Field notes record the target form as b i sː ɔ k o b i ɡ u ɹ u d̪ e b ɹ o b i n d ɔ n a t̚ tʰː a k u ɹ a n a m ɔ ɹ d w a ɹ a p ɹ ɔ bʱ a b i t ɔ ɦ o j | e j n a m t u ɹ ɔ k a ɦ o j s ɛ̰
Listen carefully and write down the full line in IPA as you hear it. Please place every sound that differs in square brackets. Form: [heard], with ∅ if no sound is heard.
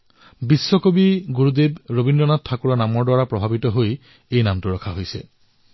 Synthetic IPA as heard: b i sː ɔ k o b i ɡ u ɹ u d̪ e b ɹ o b i n d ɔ n a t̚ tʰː a k u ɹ a n a m ɔ ɹ d w a ɹ a p ɹ ɔ bʱ a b i t ɔ ɦ o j | e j n a m t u ɹ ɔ [kʰ] a ɦ o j s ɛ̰